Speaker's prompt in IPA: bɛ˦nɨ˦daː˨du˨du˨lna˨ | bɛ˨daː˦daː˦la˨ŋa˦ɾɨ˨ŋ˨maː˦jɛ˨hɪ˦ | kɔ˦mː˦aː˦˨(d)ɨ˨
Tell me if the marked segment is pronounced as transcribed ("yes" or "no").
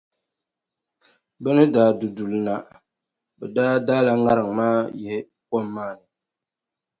no